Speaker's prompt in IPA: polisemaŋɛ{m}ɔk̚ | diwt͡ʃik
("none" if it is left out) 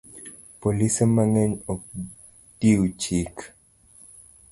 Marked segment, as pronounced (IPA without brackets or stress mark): ɲ